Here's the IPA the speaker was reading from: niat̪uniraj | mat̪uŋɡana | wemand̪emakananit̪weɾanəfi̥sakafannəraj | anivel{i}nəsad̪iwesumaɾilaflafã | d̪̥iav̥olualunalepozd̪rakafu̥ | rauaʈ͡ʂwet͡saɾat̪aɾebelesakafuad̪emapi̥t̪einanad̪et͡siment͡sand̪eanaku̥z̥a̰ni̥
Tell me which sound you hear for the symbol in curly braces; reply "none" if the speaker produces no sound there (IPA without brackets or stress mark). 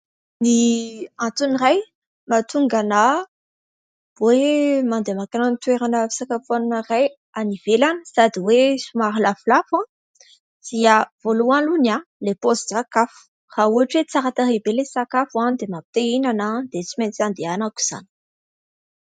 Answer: a